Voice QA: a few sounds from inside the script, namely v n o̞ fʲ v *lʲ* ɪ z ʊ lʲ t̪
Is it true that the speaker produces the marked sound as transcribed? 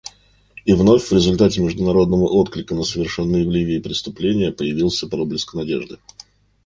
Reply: no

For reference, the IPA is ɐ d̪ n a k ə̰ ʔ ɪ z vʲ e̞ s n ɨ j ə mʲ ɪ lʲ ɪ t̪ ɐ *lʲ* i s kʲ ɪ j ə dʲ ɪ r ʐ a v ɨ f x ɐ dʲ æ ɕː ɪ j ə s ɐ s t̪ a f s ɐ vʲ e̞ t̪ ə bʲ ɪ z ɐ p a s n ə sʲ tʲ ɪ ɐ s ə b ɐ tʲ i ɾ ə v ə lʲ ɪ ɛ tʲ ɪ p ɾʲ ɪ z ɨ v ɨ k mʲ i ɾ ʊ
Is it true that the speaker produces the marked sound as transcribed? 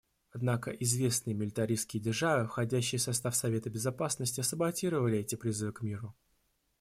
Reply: no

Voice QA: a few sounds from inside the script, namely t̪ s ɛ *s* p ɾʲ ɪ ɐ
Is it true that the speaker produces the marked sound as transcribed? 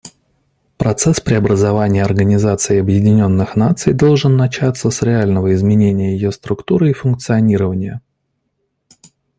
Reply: yes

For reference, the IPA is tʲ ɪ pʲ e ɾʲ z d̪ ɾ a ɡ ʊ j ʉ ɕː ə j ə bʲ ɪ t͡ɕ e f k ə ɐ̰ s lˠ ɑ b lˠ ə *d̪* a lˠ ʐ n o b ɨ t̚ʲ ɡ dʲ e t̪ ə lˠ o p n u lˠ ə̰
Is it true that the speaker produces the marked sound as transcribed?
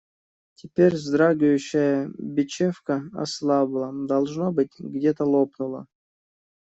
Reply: yes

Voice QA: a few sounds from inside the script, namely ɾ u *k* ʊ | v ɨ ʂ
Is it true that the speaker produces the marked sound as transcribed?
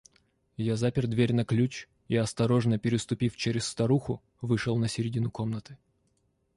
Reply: no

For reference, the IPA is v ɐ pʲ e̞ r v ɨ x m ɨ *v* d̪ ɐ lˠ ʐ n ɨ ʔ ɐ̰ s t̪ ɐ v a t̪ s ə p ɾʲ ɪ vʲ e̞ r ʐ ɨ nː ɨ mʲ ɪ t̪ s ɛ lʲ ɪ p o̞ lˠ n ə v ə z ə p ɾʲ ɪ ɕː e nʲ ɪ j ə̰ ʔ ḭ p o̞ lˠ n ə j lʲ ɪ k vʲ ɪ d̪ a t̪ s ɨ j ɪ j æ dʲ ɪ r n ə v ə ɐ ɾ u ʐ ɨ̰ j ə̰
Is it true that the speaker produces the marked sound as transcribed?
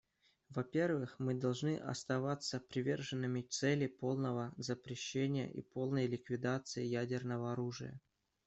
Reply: no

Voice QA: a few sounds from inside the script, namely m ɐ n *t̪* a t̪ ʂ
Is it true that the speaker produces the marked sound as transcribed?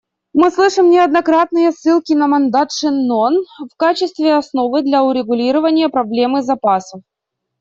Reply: no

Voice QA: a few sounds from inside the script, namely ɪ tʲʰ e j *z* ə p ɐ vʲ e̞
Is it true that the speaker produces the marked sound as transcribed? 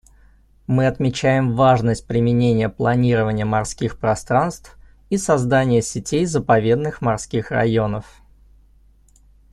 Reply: yes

